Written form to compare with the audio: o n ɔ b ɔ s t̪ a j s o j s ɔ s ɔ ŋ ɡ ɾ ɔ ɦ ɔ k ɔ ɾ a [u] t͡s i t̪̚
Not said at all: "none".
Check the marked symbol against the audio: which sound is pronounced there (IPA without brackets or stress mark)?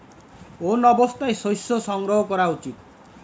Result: u